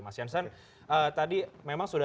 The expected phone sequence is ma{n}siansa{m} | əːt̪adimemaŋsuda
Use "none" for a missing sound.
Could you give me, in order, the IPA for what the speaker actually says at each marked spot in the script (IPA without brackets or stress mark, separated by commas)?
none, n